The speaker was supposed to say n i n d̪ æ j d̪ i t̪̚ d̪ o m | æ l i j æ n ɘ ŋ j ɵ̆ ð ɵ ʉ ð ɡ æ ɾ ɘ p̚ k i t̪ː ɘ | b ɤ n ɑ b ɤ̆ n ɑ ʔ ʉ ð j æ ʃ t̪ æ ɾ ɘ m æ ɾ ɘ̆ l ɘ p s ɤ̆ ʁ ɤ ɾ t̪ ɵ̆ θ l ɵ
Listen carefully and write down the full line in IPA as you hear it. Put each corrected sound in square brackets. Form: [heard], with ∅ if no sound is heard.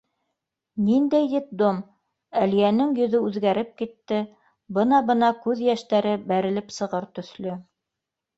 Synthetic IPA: n i n d̪ æ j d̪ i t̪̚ d̪ o m | æ l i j æ n ɘ ŋ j ɵ̆ ð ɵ ʉ ð ɡ æ ɾ ɘ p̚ k i t̪ː ɘ | b ɤ n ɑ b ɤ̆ n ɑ [k] ʉ ð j æ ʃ t̪ æ ɾ ɘ [b] æ ɾ ɘ̆ l ɘ p s ɤ̆ ʁ ɤ ɾ t̪ ɵ̆ θ l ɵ